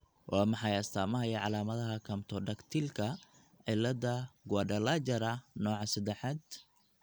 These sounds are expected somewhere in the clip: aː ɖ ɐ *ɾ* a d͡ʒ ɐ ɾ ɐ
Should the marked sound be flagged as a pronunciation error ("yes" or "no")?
yes